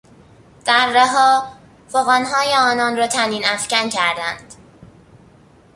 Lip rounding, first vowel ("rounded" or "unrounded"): unrounded